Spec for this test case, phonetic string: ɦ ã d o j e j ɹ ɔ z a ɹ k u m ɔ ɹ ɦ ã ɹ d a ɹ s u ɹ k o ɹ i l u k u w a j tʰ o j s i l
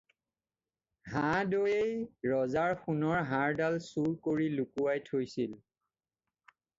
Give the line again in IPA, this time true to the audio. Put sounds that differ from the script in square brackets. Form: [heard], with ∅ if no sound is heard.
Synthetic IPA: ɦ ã d o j e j ɹ ɔ z a ɹ [x] u [n] ɔ ɹ ɦ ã ɹ d a [l] s u ɹ k o ɹ i l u k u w a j tʰ o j s i l